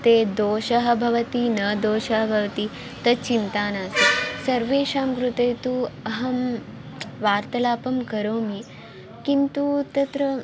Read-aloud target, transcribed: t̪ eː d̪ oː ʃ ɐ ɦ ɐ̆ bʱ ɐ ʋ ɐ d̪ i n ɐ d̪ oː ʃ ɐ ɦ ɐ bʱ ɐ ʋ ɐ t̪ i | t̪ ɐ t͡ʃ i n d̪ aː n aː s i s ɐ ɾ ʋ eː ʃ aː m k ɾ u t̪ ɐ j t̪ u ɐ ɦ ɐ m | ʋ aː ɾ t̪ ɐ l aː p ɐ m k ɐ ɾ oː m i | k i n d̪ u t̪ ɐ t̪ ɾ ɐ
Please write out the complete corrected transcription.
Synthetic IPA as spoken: t̪ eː d̪ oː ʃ ɐ ɦ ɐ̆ bʱ ɐ ʋ ɐ t̪ i n ɐ d̪ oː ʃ ɐ ɦ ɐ bʱ ɐ ʋ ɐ t̪ i | t̪ ɐ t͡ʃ i n t̪ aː n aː s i s ɐ ɾ ʋ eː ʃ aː m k ɾ u t̪ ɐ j t̪ u ɐ ɦ ɐ m | ʋ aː ɾ t̪ ɐ l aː p ɐ m k ɐ ɾ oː m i | k i n t̪ u t̪ ɐ t̪ ɾ ɐ